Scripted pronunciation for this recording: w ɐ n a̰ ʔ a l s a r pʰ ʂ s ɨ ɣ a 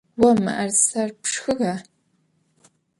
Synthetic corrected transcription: w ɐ m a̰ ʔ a r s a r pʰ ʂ x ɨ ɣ a

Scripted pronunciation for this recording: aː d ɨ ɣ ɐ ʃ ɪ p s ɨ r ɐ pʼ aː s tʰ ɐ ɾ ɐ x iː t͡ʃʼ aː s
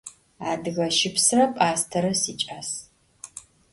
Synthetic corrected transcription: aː d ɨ ɣ ɐ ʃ ɪ p s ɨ r ɐ pʼ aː s tʰ ɐ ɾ ɐ s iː t͡ʃʼ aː s

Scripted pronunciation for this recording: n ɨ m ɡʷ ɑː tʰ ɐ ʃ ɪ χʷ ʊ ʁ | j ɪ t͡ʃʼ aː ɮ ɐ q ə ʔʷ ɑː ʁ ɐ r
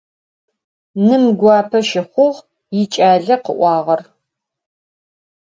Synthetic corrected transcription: n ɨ m ɡʷ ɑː pʰ ɐ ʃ ɪ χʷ ʊ ʁ | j ɪ t͡ʃʼ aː ɮ ɐ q ə ʔʷ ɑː ʁ ɐ r

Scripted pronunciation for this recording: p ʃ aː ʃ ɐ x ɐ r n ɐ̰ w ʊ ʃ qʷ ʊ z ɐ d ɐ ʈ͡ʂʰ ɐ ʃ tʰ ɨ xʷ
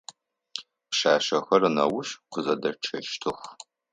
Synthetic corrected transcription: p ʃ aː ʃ ɐ x ɐ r n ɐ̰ w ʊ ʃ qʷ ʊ z ɐ d ɐ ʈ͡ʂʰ ɐ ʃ tʰ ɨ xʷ

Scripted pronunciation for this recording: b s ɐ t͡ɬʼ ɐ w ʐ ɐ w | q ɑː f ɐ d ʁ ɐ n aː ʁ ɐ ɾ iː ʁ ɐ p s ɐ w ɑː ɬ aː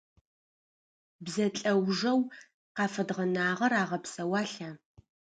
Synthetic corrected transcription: b z ɐ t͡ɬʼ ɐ w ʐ ɐ w | q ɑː f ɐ d ʁ ɐ n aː ʁ ɐ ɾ aː ʁ ɐ p s ɐ w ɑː ɬ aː

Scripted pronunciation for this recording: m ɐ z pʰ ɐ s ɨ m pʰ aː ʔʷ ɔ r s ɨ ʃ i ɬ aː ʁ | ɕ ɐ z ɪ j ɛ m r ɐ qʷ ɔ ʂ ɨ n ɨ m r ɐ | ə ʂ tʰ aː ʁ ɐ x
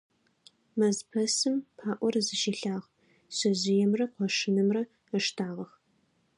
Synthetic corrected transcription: m ɐ z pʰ ɐ s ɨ m pʰ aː ʔʷ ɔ r z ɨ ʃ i ɬ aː ʁ | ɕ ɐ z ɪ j ɛ m r ɐ qʷ ɔ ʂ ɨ n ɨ m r ɐ | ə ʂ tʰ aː ʁ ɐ x

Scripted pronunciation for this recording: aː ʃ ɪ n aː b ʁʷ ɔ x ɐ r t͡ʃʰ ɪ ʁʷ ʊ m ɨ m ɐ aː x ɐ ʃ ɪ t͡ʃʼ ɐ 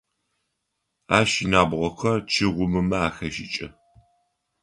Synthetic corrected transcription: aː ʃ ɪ n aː b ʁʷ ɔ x ɐ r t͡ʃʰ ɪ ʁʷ ʊ m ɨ m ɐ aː x ɐ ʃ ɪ t͡ʃʼ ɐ

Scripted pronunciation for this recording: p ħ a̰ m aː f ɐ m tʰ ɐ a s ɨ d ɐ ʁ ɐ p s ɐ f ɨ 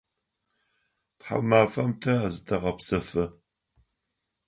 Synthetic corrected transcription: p ħ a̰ m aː f ɐ m tʰ ɐ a z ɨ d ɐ ʁ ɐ p s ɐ f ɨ

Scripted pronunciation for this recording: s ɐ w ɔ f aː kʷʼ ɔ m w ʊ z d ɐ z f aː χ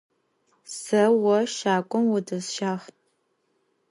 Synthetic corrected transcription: s ɐ w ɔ ʃ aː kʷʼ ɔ m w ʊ d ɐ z ʃ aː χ

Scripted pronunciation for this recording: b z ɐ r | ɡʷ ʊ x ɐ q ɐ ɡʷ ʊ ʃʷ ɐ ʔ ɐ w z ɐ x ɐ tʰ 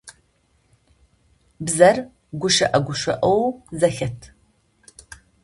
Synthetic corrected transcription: b z ɐ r | ɡʷ ʊ ʃ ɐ ʔ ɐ ɡʷ ʊ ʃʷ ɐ ʔ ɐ w z ɐ x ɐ tʰ

